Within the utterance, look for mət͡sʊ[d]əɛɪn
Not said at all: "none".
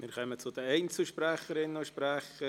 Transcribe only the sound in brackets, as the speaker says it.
d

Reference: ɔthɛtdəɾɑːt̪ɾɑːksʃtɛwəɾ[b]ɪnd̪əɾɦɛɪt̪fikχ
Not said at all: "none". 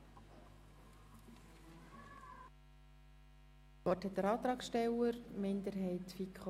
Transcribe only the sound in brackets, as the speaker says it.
m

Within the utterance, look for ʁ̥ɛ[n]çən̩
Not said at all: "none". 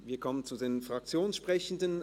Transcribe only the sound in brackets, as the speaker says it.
none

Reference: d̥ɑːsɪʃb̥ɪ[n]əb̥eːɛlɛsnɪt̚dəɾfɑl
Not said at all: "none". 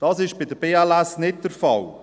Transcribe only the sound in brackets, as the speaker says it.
d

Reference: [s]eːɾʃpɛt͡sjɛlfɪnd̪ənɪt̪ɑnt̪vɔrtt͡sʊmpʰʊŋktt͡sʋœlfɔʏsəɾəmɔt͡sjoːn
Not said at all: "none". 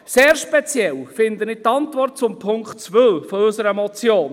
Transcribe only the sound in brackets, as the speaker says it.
s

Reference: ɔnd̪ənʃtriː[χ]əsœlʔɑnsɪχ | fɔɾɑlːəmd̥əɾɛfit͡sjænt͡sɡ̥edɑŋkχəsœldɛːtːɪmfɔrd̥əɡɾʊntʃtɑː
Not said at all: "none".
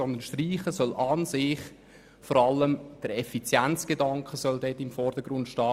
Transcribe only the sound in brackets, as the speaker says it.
χ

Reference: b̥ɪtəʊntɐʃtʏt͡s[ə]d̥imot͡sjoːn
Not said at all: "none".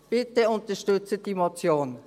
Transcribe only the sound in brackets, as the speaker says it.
ə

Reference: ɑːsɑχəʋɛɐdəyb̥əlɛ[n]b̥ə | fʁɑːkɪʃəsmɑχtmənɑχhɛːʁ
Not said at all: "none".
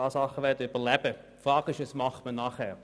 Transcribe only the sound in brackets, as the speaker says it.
none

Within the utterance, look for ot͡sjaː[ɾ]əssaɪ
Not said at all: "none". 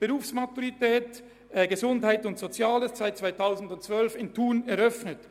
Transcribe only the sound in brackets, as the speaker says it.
l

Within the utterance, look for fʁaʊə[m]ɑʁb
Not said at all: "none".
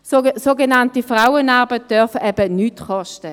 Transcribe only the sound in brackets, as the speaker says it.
n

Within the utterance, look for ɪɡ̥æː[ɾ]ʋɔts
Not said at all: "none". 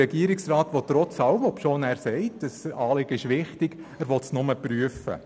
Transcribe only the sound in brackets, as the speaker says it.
ɾ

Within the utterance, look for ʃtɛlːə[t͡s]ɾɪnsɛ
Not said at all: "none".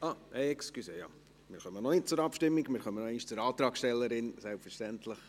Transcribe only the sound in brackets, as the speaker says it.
none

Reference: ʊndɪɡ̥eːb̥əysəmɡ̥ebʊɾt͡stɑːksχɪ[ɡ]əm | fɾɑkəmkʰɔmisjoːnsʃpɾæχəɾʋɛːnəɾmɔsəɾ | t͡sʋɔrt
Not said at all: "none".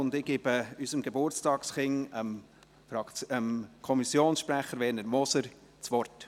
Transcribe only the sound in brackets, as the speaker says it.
ŋ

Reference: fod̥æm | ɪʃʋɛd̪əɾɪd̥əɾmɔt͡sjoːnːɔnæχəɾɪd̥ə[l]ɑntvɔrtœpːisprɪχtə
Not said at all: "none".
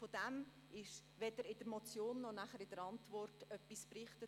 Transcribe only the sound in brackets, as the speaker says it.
ɾ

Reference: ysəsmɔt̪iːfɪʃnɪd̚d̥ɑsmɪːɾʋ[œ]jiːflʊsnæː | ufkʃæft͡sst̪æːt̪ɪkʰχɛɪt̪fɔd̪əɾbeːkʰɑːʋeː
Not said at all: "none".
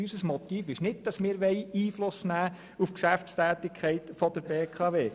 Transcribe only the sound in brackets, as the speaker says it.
ɛ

